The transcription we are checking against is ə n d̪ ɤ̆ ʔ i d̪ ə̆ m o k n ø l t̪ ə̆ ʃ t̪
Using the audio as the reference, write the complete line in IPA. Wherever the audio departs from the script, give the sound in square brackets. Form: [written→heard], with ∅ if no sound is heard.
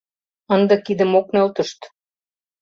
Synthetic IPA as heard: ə n d̪ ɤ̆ [ʔ→k] i d̪ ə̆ m o k n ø l t̪ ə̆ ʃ t̪

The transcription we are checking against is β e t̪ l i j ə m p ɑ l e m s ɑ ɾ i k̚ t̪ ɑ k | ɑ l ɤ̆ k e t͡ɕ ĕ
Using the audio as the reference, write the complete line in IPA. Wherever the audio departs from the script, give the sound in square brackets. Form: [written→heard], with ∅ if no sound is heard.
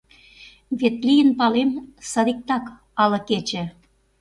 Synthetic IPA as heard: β e t̪ l i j ə [m→n] p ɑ l e m s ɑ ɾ i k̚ t̪ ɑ k | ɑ l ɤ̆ k e t͡ɕ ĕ

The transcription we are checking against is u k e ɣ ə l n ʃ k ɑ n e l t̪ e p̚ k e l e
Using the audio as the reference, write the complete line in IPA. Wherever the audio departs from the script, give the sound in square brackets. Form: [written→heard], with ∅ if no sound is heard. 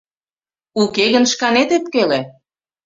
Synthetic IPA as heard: u k e ɣ ə [l→∅] n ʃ k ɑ n e [l→∅] t̪ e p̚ k e l e

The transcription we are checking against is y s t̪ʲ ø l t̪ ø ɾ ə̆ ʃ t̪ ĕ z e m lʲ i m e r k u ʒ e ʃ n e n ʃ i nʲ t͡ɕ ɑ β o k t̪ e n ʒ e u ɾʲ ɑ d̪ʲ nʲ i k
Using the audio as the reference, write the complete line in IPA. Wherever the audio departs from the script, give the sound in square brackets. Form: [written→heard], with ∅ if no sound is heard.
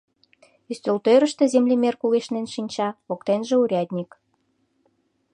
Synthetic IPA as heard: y s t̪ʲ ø l t̪ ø ɾ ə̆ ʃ t̪ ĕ z e m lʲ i m e r k u [ʒ→ɣ] e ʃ n e n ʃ i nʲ t͡ɕ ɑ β o k t̪ e n ʒ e u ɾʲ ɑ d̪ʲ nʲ i k

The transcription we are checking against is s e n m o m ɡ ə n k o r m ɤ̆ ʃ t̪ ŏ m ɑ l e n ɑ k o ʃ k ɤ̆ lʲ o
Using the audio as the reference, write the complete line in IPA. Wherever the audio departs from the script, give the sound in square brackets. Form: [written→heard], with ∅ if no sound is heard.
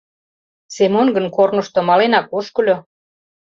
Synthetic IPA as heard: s e [n→∅] m o [m→n] ɡ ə n k o r [m→n] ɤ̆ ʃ t̪ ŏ m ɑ l e n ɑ k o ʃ k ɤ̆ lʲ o

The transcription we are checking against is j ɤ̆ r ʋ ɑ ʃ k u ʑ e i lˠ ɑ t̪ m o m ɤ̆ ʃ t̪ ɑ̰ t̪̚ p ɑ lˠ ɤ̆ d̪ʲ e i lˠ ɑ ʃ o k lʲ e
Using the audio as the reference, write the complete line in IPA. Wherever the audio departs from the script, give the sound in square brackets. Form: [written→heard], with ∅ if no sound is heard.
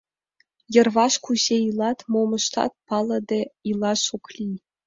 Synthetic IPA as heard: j ɤ̆ r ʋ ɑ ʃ k u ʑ e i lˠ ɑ t̪ m o m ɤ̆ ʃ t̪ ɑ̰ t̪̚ p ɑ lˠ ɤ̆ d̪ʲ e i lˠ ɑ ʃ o k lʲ [e→i]

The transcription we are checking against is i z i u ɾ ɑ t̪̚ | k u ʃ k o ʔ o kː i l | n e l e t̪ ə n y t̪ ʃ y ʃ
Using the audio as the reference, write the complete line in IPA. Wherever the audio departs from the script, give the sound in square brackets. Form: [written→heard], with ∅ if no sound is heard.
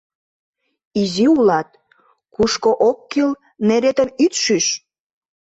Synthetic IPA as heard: i z i u [ɾ→l] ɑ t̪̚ | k u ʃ k o ʔ o kː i l | n e [l→ɾ] e t̪ ə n y t̪ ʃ y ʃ

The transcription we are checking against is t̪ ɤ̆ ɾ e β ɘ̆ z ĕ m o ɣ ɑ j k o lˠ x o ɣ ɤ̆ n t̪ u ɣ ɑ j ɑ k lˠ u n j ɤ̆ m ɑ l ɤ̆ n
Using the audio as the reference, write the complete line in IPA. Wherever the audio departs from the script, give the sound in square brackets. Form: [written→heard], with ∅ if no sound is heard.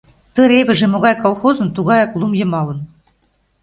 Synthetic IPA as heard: t̪ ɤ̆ ɾ e β ɘ̆ [z→ʒ] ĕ m o ɣ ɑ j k o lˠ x o [ɣ→z] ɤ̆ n t̪ u ɣ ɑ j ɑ k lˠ u [n→m] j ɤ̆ m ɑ l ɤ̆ n

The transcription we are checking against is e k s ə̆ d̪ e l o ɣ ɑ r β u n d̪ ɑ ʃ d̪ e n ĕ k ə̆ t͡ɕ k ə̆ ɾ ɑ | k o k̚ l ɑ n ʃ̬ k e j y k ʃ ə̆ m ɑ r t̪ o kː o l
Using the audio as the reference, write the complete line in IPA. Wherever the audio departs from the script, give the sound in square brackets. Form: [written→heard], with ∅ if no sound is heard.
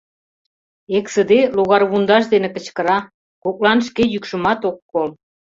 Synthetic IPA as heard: e k s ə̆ d̪ e l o ɣ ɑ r β u n d̪ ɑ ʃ d̪ e n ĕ k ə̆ t͡ɕ k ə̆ ɾ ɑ | k o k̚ l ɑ n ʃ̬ k e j y k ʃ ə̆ m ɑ [r→∅] t̪ o kː o l

